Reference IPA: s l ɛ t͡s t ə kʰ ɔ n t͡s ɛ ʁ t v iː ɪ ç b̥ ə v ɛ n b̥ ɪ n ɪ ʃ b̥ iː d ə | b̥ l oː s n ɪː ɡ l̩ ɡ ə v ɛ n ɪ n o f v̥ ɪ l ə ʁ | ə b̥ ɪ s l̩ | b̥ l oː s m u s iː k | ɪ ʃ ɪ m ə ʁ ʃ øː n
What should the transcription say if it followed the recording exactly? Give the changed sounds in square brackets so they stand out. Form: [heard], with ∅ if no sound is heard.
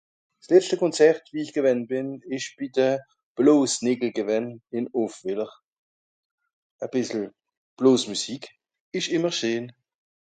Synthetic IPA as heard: s l ɛ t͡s t ə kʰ ɔ n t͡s ɛ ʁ t v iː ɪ ç [ɡ̥] ə v ɛ n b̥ ɪ n ɪ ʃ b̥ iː d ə | b̥ l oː s n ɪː ɡ l̩ ɡ ə v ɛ n ɪ n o f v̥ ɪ l ə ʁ | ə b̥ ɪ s l̩ | b̥ l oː s m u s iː k | ɪ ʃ ɪ m ə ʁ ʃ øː n